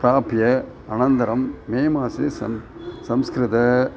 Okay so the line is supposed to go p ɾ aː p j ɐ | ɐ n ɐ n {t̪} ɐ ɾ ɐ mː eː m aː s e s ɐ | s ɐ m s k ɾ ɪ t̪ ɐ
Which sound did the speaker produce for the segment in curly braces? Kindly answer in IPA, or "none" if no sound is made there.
d̪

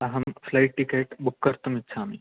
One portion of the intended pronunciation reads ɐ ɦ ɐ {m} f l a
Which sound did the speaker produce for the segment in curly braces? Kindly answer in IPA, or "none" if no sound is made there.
m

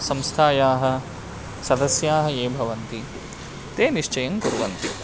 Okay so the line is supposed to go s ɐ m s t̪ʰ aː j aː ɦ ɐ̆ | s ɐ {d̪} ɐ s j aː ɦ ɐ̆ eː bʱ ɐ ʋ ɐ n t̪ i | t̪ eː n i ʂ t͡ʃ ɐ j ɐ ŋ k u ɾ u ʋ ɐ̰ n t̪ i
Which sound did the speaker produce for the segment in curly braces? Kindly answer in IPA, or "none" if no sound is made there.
d̪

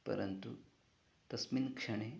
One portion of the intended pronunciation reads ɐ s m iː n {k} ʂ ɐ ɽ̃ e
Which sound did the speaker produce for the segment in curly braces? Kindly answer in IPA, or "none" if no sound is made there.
k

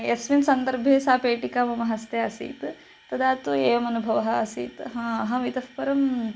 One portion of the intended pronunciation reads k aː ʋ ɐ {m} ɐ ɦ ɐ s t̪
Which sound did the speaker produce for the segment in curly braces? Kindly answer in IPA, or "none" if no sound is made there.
m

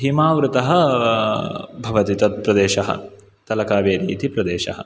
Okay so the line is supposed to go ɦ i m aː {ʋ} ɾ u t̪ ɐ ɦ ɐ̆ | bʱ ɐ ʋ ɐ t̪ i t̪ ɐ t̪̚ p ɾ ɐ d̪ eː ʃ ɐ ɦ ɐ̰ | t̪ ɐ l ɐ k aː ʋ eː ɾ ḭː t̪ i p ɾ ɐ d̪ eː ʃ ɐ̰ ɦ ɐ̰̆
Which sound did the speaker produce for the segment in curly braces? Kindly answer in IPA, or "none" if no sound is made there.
ʋ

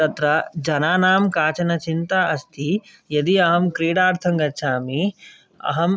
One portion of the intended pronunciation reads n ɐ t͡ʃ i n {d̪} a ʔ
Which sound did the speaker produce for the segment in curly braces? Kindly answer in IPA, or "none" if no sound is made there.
t̪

